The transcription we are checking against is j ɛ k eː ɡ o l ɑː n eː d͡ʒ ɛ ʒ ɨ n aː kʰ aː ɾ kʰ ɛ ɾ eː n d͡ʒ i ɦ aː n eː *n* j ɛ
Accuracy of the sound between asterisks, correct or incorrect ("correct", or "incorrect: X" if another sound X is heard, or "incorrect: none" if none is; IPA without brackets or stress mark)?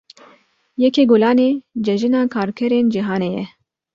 incorrect: none